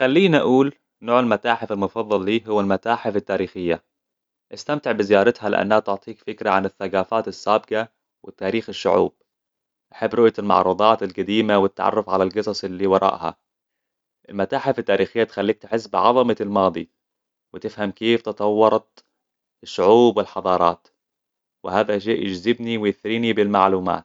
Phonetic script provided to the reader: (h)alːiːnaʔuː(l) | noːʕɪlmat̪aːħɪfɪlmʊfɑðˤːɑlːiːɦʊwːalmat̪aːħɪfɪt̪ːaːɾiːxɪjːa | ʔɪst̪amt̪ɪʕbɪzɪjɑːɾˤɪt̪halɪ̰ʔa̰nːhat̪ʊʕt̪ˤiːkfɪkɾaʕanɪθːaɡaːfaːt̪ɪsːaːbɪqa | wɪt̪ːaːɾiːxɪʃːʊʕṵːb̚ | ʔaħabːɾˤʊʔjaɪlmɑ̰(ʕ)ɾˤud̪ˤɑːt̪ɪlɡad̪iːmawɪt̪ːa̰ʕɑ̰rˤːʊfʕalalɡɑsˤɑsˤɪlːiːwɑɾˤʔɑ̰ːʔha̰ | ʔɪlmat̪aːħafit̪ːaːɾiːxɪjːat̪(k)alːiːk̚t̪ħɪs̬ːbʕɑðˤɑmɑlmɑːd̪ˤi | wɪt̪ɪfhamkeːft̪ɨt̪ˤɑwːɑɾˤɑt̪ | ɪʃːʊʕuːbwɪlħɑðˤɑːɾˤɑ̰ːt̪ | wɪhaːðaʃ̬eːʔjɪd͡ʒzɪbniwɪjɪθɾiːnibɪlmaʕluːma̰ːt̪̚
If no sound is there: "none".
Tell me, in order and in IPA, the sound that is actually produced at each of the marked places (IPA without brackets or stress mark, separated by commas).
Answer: x, l, ʕ, x